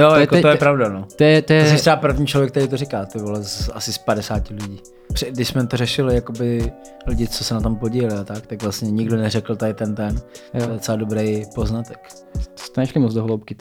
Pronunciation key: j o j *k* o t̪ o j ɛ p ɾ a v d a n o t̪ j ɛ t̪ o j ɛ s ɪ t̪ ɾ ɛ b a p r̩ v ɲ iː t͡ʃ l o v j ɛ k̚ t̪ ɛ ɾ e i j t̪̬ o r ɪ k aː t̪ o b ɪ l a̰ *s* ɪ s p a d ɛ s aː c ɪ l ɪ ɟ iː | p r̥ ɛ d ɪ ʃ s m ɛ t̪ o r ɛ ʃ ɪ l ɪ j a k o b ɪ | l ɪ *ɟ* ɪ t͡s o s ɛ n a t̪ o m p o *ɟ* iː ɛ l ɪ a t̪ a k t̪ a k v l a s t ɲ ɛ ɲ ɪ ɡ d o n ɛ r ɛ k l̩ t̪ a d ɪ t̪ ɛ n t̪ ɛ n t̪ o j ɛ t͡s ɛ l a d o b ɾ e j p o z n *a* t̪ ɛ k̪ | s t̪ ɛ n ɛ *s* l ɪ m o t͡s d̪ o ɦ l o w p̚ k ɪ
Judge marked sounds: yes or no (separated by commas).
yes, yes, yes, yes, yes, no